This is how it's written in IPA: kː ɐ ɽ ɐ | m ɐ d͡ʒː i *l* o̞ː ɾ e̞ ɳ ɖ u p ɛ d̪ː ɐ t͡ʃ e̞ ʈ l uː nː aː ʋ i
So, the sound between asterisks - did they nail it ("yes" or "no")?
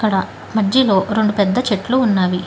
yes